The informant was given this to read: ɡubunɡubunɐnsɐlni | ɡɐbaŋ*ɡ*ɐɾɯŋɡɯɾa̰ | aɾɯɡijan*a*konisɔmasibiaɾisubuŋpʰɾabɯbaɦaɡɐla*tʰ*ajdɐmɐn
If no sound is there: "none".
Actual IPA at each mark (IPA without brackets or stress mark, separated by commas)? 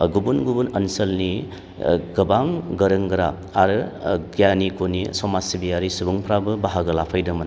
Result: ɡ, i, pʰ